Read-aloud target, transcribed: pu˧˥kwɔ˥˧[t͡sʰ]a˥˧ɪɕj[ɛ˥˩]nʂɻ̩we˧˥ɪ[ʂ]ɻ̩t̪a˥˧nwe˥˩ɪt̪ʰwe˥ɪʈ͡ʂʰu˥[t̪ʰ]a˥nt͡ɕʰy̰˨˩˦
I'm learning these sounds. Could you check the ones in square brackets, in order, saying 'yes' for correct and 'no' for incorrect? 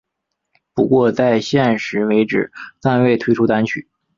no, yes, no, no

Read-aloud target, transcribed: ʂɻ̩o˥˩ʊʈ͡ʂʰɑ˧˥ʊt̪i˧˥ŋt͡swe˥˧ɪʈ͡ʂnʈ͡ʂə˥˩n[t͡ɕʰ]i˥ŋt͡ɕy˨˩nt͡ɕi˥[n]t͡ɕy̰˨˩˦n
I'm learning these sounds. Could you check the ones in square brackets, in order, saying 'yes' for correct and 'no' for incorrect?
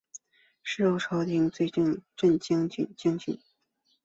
no, no

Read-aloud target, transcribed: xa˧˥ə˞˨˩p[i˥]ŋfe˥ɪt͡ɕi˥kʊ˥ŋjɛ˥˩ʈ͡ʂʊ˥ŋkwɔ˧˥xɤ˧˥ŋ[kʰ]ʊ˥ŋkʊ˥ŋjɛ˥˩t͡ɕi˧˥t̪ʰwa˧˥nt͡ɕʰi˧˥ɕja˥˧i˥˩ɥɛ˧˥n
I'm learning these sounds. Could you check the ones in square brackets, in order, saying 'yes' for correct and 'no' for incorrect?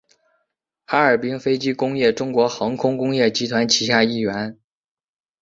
yes, yes

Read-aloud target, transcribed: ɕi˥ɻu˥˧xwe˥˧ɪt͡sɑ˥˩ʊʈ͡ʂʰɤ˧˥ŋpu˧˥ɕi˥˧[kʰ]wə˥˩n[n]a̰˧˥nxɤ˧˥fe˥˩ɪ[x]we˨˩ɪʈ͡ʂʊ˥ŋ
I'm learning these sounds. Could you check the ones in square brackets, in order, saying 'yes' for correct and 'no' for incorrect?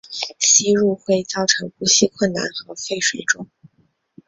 yes, yes, no

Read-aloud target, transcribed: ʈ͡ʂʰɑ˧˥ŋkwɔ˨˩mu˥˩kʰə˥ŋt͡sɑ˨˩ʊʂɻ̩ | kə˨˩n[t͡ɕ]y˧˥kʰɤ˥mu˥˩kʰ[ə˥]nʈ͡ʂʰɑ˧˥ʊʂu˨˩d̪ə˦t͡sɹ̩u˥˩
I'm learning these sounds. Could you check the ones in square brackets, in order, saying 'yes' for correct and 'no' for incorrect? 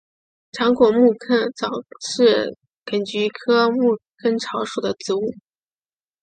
yes, yes

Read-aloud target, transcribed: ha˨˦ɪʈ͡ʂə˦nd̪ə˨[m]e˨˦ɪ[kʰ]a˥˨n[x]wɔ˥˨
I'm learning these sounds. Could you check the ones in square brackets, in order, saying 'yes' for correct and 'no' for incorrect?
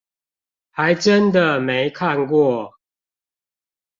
yes, yes, no

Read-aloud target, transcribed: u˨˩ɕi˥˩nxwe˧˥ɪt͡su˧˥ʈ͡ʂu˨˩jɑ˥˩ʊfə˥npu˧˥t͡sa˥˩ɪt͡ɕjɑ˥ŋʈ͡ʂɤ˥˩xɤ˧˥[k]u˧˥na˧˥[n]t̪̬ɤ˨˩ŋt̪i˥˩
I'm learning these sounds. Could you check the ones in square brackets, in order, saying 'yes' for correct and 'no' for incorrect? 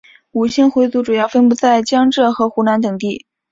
no, yes

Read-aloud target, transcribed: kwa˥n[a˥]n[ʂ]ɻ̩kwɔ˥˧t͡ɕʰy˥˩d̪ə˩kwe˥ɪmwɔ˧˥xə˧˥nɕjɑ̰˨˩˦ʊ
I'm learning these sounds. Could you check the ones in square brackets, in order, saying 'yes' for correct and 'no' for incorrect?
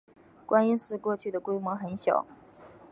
no, yes

